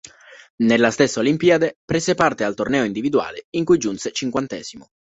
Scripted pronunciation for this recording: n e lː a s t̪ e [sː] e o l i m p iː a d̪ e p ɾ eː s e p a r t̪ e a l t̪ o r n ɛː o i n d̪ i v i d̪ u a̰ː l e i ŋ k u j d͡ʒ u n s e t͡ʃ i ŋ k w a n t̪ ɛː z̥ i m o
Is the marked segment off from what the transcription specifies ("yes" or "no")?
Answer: no